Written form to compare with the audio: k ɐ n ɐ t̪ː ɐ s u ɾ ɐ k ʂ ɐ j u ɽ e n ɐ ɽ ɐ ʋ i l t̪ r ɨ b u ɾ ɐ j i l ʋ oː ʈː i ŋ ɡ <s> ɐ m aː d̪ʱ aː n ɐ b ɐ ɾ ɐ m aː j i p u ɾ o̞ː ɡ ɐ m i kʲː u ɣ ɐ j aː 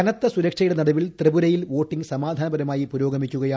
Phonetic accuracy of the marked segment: correct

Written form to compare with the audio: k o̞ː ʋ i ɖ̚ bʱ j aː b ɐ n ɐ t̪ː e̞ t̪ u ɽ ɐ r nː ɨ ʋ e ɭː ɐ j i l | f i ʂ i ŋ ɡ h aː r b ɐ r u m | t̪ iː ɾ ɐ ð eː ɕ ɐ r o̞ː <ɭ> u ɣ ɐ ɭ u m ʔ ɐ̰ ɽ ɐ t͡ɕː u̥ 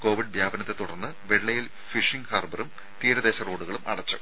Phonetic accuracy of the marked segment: incorrect: ɽ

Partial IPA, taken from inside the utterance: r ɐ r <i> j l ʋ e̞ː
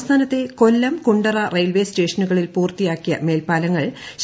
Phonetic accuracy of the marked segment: incorrect: e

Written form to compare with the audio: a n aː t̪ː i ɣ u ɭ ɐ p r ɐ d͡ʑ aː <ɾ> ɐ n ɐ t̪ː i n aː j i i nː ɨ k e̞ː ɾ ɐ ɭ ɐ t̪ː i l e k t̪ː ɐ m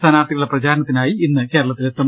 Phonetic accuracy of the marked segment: correct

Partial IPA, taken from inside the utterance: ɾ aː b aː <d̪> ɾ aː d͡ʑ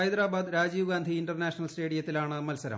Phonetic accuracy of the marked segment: correct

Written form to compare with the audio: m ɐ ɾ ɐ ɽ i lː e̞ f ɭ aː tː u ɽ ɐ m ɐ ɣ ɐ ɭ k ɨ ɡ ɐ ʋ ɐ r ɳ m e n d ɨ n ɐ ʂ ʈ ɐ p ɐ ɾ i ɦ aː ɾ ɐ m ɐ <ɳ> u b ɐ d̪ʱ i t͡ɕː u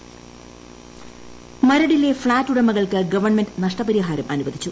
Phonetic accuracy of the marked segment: incorrect: n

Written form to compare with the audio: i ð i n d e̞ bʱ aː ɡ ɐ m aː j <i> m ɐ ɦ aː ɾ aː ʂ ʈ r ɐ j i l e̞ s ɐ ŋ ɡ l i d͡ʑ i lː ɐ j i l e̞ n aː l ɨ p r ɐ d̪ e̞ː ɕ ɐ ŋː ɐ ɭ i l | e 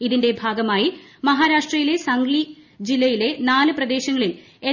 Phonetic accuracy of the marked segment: correct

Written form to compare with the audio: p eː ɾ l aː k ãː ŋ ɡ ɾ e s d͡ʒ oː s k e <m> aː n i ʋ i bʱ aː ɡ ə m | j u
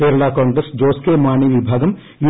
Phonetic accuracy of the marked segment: correct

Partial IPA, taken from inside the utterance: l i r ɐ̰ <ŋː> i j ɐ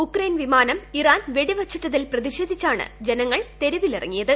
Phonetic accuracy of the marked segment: correct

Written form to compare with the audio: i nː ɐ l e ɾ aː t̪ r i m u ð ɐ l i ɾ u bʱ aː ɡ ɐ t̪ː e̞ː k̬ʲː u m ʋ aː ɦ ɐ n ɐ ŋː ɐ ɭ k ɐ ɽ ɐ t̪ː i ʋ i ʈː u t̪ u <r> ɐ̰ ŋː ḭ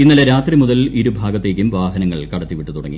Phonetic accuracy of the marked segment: incorrect: ɽ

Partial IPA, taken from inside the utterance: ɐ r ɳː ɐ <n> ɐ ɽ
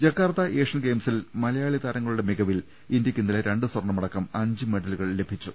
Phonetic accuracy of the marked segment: incorrect: m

